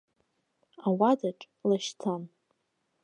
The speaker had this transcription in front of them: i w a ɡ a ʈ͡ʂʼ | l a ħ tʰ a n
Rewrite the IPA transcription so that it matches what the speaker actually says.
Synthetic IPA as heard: a w a d a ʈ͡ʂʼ | l a ʃ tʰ a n

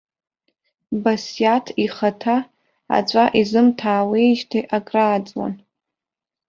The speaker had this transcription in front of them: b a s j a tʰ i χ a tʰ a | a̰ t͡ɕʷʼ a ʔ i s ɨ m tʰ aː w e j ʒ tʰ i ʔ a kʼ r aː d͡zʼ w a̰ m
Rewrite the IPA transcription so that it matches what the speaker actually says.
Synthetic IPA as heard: b a s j a tʰ i χ a tʰ a | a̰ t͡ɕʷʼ a ʔ i z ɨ m tʰ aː w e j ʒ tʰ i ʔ a kʼ r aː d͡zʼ w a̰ n

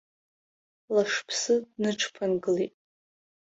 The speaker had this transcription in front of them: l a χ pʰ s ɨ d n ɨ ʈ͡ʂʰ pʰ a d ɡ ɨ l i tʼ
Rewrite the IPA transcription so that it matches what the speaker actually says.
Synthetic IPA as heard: l a ʂ pʰ s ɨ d n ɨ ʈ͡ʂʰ pʰ a n ɡ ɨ l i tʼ

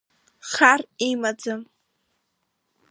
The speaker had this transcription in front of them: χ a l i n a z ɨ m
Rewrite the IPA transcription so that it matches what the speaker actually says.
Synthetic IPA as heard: χ a r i m a d͡z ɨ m

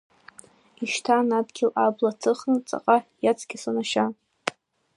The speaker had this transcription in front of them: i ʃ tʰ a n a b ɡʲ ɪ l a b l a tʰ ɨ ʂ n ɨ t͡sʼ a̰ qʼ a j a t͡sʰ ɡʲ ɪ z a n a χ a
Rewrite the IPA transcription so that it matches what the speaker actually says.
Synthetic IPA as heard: i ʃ tʰ a n a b ɡʲ ɪ l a b l a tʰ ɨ χ n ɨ t͡sʼ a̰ qʼ a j a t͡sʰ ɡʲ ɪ s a n a ʃ a

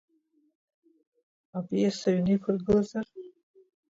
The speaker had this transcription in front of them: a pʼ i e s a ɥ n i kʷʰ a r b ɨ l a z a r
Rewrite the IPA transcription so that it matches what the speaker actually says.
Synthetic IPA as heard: a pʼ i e s a ɥ n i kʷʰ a r ɡ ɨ l a z a r

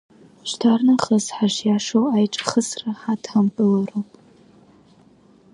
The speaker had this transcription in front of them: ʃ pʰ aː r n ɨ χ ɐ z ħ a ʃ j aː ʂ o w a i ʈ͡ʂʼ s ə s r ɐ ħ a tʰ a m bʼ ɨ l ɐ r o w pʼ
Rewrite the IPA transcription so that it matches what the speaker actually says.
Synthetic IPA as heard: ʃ tʰ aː r n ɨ χ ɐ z ħ a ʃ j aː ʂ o w a j ʈ͡ʂʼ χ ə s r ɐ ħ a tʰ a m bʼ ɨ l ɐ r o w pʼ

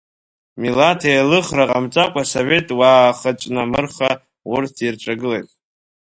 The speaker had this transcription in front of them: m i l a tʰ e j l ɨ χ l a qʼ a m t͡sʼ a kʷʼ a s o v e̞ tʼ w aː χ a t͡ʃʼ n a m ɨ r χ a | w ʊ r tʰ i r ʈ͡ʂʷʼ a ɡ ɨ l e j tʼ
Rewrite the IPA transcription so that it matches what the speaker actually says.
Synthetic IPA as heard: m i l a tʰ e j l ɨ χ r a qʼ a m t͡sʼ a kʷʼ a s o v e̞ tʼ w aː χ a t͡ʃʼ n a m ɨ r χ a | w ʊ r tʰ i r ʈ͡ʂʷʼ a ɡ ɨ l e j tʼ

